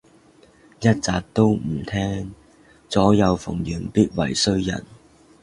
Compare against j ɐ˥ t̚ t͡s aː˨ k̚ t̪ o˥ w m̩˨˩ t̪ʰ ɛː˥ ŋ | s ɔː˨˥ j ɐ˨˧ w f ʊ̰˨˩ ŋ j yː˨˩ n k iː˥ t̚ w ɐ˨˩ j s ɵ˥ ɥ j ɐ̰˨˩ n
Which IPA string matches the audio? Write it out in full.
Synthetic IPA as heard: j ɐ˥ t̚ t͡s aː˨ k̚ t̪ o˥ w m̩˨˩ t̪ʰ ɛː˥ ŋ | t͡s ɔː˨˥ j ɐ˨˧ w f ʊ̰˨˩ ŋ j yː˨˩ n p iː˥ t̚ w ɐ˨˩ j s ɵ˥ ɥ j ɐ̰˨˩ n